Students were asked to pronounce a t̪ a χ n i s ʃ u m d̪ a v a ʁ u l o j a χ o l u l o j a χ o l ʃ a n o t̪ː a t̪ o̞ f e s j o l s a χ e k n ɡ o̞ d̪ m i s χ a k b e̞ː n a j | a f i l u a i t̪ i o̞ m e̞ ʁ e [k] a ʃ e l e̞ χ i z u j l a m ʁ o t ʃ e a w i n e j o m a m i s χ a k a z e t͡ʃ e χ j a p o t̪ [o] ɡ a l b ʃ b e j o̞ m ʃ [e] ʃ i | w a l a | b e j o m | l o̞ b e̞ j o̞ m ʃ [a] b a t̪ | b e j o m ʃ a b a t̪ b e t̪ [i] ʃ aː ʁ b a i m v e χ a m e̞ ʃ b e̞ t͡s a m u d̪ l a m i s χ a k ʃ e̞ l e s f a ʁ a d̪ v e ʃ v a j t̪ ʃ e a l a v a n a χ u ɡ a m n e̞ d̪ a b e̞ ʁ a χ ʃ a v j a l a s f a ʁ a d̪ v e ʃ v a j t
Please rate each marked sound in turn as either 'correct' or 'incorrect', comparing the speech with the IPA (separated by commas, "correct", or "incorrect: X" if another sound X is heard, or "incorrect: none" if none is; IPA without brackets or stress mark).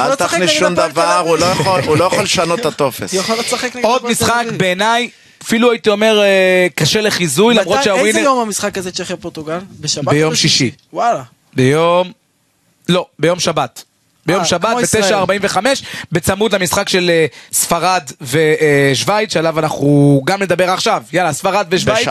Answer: correct, incorrect: u, incorrect: i, correct, incorrect: e